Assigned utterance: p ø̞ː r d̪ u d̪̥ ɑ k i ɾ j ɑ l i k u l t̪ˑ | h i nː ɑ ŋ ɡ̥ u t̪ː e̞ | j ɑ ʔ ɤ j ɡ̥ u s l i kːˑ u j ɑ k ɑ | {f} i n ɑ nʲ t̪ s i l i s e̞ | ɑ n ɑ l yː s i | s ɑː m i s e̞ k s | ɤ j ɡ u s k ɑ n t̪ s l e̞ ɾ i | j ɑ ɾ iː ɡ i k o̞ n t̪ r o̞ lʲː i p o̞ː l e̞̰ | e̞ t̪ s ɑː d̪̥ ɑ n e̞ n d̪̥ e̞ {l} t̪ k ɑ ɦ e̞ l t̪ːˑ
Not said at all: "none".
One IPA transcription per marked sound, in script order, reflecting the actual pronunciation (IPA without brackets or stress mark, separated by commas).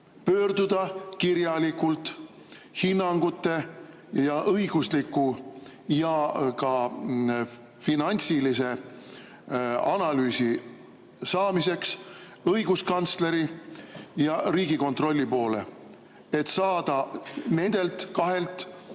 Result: f, l